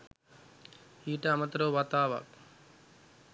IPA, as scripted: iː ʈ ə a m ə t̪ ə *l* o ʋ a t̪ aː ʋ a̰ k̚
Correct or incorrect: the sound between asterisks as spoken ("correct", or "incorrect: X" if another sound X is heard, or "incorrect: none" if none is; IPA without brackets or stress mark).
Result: incorrect: ɾ